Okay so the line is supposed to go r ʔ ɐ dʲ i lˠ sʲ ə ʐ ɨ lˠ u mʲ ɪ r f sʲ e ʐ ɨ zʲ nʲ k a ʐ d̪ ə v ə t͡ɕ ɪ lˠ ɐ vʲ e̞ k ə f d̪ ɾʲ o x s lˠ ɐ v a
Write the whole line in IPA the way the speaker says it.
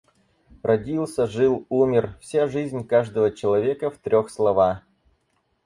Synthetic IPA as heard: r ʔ ɐ dʲ i lˠ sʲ ə ʐ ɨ lˠ u mʲ ɪ r f sʲ a ʐ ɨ zʲ nʲ k a ʐ d̪ ə v ə t͡ɕ ɪ lˠ ɐ vʲ e̞ k ə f t̪ ɾʲ o x s lˠ ɐ v a